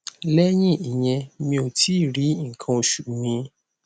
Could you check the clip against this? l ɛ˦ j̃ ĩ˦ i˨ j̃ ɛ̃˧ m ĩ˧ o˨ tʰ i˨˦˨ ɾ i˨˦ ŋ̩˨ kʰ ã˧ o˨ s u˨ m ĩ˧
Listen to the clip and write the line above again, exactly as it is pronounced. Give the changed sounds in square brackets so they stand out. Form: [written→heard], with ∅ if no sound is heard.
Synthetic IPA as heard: l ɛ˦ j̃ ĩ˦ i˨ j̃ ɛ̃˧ m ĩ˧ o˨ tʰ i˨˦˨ ɾ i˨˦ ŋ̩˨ kʰ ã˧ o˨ [s→ʃ] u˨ m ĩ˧